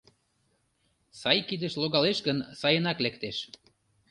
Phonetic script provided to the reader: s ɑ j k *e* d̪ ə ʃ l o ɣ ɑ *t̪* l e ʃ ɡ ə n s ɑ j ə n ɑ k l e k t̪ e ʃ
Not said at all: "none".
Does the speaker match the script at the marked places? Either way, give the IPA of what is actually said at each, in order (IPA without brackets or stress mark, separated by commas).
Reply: i, none